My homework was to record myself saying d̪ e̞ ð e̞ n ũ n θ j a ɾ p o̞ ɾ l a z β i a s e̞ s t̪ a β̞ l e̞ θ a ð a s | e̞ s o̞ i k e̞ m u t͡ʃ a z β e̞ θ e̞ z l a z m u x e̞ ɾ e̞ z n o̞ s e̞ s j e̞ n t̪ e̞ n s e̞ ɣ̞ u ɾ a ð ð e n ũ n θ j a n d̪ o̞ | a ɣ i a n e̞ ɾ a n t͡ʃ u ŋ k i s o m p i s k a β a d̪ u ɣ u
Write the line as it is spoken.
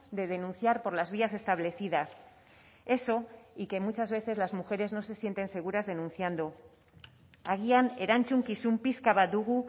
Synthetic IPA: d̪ e̞ ð e̞ n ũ n θ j a ɾ p o̞ ɾ l a z β i a s e̞ s t̪ a β̞ l e̞ θ i ð a s | e̞ s o̞ i k e̞ m u t͡ʃ a z β e̞ θ e̞ z l a z m u x e̞ ɾ e̞ z n o̞ s e̞ s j e̞ n t̪ e̞ n s e̞ ɣ̞ u ɾ a z ð e n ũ n θ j a n d̪ o̞ | a ɣ i a n e̞ ɾ a n t͡ʃ u ŋ k i s u m p i s k a β a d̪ u ɣ u